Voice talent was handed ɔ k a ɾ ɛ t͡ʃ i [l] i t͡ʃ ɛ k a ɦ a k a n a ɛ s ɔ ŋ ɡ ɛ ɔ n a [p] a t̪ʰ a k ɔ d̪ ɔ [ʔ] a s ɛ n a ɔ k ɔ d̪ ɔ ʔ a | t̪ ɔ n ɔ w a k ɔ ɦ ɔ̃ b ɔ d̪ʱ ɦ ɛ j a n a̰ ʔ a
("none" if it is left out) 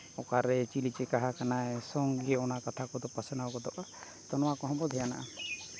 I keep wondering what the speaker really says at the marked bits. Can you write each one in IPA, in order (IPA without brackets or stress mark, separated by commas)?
l, k, p